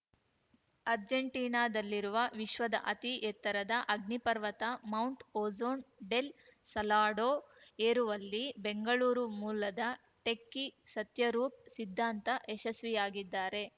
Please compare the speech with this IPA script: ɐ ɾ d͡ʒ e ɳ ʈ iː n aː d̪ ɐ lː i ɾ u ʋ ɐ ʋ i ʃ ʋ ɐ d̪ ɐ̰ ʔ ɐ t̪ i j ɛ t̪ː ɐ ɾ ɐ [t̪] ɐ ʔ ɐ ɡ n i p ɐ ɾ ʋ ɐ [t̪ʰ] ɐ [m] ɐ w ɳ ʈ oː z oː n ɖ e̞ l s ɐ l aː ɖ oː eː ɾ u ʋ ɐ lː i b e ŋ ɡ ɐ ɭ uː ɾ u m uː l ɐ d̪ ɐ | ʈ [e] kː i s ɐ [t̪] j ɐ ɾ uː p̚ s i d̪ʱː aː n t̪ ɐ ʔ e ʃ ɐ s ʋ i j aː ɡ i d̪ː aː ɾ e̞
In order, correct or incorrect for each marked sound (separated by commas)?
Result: incorrect, incorrect, correct, correct, correct